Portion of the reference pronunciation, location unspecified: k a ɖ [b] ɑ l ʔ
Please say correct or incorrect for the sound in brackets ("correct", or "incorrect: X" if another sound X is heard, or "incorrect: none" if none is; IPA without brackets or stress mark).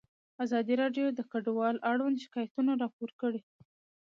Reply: incorrect: w